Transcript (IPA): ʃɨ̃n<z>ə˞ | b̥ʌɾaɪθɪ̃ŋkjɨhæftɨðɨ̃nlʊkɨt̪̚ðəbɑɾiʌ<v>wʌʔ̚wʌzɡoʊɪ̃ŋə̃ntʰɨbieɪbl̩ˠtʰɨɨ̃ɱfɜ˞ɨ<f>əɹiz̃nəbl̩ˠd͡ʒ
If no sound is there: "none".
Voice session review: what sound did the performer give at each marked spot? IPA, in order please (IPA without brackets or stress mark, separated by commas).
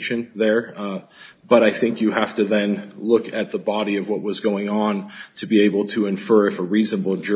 ð, v, f